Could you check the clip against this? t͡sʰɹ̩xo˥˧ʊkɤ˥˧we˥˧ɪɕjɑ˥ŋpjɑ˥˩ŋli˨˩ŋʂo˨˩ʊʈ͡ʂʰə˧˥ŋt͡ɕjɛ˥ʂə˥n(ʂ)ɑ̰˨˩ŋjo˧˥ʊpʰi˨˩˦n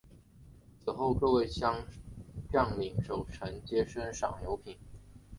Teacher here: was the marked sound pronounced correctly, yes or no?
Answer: yes